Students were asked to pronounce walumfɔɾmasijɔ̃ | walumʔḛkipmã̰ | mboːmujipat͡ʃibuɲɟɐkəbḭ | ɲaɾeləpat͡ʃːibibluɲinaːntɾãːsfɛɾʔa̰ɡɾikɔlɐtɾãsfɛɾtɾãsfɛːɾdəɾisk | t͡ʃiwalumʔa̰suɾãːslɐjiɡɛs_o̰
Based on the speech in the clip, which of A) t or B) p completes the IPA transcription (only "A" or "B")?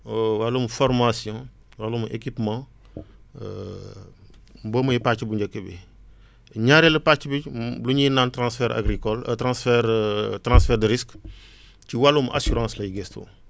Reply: A